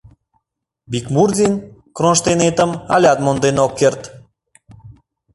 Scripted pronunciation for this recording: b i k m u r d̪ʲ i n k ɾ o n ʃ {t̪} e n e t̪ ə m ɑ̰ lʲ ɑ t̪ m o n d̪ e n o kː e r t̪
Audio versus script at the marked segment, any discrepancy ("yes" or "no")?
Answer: no